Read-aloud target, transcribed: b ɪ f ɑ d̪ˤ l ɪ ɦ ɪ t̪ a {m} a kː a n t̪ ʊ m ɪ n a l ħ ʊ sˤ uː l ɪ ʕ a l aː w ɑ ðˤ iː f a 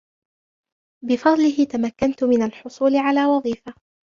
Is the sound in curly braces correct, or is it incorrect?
correct